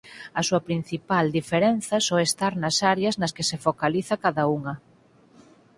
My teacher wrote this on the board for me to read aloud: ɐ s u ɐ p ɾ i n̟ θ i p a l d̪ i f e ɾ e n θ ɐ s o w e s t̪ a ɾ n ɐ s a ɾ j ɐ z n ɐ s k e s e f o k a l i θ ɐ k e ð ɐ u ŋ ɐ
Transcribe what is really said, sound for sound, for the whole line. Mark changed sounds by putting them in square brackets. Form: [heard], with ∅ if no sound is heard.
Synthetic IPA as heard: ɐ s u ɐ p ɾ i n̟ θ i p a l d̪ i f e ɾ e n θ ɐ s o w e s t̪ a ɾ n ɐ s a ɾ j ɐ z n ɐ s k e s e f o k a l i θ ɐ k [a] ð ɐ u ŋ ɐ